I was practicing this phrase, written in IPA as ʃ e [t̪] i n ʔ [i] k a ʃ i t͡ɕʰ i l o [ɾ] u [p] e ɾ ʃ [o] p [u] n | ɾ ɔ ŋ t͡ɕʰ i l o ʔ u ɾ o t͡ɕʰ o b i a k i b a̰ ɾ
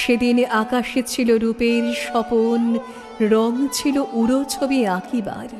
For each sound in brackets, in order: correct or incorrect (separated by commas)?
incorrect, incorrect, correct, correct, incorrect, incorrect